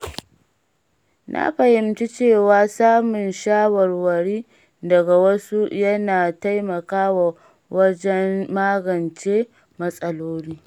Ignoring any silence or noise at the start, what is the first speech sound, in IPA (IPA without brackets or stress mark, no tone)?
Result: n